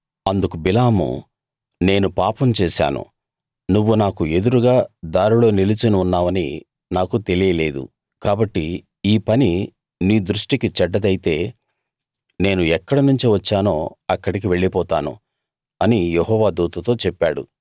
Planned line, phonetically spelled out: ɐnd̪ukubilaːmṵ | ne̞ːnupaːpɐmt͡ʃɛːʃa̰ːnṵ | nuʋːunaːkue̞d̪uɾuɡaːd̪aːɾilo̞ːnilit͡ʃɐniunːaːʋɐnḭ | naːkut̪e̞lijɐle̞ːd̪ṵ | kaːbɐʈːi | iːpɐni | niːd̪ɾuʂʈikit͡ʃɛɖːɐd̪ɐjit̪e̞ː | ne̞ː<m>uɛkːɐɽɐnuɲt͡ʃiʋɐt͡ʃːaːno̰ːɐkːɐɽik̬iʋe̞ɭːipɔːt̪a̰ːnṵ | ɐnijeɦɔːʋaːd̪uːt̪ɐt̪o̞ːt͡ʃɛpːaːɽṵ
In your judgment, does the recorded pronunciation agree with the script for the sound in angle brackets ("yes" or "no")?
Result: no